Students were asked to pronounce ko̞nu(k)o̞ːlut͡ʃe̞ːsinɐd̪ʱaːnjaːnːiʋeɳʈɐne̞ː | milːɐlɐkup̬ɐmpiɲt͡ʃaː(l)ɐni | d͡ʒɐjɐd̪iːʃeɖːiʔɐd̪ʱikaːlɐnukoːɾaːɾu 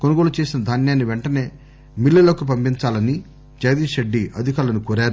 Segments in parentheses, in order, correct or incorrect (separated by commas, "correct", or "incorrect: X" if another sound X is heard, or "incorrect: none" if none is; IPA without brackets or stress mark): incorrect: ɡ, correct